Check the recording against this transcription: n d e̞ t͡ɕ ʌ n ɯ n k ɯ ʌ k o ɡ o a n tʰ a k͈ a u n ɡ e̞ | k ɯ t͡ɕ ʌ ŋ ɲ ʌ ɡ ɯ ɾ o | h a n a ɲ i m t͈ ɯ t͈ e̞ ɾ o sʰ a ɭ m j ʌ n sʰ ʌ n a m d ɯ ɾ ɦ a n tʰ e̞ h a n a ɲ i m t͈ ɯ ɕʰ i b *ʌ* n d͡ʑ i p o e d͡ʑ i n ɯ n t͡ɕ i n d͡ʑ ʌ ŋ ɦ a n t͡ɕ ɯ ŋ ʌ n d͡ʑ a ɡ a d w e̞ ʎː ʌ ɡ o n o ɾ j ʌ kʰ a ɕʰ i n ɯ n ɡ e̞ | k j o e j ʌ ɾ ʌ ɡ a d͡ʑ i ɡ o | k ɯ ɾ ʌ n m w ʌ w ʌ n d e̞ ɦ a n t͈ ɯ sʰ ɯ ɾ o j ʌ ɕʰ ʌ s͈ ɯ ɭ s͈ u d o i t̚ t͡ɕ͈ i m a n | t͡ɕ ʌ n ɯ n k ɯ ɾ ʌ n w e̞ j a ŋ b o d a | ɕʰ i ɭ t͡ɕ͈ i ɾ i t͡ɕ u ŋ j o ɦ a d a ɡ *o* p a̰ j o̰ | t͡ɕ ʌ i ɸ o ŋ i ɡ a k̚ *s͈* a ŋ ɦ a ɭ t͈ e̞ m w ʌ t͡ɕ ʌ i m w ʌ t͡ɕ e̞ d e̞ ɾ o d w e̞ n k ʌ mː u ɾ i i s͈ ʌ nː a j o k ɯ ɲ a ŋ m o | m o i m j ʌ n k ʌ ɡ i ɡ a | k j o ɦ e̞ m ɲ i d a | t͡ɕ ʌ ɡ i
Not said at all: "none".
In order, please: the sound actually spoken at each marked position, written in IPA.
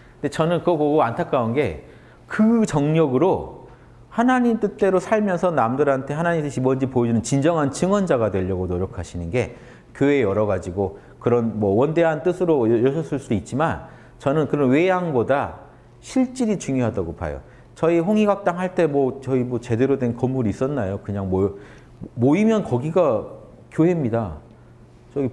ʌ, o, t͈

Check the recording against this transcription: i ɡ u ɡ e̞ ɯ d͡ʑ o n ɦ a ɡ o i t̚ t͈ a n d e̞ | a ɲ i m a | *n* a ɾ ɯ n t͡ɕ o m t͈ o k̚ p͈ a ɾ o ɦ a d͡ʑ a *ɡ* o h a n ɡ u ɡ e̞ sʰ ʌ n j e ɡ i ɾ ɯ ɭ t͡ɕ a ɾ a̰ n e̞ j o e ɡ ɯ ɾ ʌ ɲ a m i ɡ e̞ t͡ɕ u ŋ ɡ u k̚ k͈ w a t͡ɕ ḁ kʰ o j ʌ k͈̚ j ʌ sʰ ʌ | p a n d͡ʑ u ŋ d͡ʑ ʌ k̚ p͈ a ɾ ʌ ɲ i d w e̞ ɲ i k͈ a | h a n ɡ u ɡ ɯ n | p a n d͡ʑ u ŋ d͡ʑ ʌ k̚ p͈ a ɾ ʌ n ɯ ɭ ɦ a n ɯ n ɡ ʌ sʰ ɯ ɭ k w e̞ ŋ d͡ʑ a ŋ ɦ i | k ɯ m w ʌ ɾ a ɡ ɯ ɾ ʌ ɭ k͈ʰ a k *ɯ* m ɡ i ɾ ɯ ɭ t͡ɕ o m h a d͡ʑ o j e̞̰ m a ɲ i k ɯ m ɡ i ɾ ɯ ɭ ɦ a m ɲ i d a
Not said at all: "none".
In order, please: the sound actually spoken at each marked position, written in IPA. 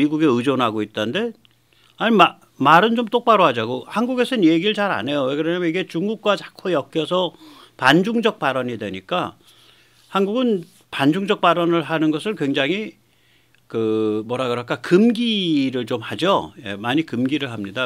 m, ɡ, ɯ

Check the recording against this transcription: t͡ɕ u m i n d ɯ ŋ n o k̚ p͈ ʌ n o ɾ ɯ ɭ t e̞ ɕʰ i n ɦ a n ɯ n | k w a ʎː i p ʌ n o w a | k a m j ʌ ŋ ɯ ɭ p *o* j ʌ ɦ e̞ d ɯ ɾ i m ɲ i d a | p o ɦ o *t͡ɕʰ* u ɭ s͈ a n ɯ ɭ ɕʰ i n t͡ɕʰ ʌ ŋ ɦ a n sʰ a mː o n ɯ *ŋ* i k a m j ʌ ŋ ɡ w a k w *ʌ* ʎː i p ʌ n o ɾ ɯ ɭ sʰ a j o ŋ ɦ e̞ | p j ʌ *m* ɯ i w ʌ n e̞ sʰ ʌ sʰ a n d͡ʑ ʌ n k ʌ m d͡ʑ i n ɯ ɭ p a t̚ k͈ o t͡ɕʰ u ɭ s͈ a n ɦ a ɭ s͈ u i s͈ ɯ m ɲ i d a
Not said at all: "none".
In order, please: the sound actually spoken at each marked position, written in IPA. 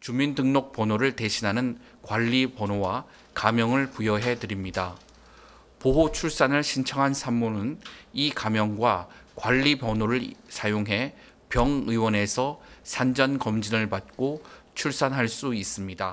u, t͡ɕʰ, n, a, ŋ

